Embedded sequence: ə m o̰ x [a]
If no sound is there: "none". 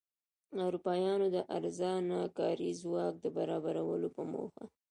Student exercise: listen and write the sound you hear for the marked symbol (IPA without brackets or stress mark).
a